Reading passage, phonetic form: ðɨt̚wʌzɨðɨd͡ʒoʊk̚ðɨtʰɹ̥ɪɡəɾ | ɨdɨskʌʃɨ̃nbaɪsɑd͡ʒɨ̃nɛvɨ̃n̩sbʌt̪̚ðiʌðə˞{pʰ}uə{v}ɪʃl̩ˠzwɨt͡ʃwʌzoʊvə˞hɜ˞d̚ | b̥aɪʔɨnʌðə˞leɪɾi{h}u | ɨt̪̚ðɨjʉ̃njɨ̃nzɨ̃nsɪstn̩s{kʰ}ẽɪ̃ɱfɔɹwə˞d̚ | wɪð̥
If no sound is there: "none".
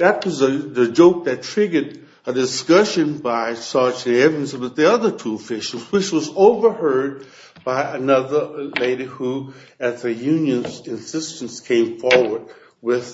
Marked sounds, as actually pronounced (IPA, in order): tʰ, f, h, kʰ

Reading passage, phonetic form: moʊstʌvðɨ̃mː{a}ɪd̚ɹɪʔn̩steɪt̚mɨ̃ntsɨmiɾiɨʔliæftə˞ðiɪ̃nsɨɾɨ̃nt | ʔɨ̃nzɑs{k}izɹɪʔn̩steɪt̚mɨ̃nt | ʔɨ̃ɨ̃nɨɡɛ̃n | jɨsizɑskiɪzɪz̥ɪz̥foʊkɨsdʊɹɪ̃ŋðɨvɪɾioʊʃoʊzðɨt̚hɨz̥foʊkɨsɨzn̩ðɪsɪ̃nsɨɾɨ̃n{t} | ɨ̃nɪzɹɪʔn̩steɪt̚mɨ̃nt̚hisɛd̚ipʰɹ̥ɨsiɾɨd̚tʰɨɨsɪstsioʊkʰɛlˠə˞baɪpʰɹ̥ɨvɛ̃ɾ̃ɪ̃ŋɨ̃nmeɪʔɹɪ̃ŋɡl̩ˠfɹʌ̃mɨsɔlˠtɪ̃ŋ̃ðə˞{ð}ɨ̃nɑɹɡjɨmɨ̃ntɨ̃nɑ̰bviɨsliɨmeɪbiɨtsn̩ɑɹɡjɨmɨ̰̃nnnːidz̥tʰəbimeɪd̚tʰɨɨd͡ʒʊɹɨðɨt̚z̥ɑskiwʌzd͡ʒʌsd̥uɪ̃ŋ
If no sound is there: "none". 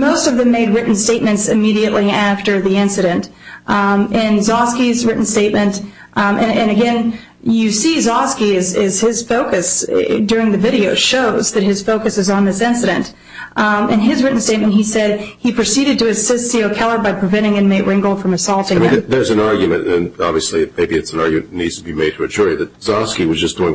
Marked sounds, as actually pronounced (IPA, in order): e, k, t, z

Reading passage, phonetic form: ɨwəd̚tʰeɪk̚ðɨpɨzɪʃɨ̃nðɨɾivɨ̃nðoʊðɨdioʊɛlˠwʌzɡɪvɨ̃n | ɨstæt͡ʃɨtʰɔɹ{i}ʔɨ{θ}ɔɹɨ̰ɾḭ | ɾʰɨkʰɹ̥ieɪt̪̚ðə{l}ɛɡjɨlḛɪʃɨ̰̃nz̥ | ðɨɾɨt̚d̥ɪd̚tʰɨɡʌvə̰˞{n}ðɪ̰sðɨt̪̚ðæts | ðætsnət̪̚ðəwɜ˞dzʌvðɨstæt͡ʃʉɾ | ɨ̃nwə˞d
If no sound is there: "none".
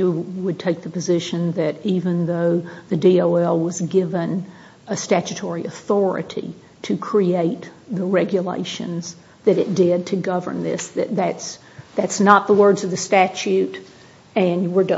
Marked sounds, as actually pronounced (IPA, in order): i, θ, ɹ, n

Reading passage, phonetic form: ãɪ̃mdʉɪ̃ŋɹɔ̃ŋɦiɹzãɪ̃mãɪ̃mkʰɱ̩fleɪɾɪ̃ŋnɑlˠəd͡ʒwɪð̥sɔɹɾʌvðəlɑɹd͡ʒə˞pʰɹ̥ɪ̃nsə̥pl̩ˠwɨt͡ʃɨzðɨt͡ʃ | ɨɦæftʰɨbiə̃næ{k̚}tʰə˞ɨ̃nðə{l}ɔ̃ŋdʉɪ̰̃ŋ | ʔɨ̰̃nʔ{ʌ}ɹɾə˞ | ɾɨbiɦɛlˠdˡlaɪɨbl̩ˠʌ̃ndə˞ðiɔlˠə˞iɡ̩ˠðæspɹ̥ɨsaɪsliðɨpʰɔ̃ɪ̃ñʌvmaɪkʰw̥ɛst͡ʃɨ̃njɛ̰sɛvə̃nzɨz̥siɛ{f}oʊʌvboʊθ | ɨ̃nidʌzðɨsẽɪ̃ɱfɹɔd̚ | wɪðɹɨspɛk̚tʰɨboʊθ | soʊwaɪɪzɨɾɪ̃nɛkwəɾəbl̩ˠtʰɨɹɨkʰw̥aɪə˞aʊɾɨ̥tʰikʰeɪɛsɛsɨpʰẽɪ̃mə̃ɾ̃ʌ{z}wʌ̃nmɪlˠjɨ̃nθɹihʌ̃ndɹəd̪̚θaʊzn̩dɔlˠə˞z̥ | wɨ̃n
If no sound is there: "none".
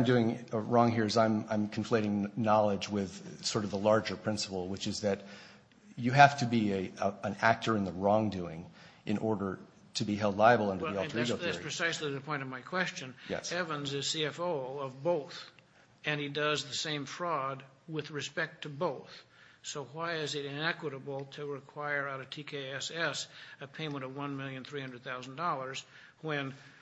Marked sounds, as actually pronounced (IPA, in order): k̚, ɹ, ɔ, f, v

